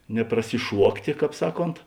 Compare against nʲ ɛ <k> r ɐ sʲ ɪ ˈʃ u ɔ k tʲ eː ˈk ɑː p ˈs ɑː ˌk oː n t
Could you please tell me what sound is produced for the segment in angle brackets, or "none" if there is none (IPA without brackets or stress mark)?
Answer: p